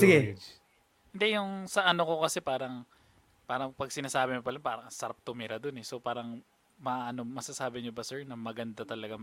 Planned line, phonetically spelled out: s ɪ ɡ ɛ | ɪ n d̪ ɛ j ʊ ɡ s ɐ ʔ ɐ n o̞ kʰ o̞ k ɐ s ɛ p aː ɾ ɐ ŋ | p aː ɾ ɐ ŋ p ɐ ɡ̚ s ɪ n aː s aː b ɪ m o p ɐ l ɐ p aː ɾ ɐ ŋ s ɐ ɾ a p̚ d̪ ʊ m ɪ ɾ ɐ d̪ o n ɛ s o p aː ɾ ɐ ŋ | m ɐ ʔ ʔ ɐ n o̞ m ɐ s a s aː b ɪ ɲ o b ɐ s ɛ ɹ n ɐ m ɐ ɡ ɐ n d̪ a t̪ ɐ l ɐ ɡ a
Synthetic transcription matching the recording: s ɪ ɡ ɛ | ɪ n d̪ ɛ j ʊ ŋ s ɐ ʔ ɐ n o̞ k o̞ k ɐ s ɛ p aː ɾ ɐ ŋ | p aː ɾ ɐ ŋ p ɐ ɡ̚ s ɪ n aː s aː b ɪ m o p ɐ l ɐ p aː ɾ ɐ ŋ s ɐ ɾ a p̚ t̪ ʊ m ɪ ɾ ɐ d̪ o n ɛ s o p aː ɾ ɐ ŋ | m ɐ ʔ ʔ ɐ n o̞ m ɐ s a s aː b ɪ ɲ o b ɐ s ɛ ɹ n ɐ m ɐ ɡ ɐ n d̪ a t̪ ɐ l ɐ ɡ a